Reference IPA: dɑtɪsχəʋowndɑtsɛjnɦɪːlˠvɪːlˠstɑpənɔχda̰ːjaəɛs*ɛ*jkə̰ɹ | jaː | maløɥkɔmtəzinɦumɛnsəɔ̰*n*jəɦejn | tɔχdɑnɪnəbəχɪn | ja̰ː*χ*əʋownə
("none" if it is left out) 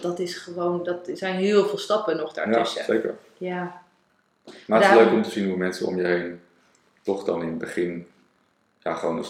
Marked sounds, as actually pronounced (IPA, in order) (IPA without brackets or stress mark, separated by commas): e, m, χ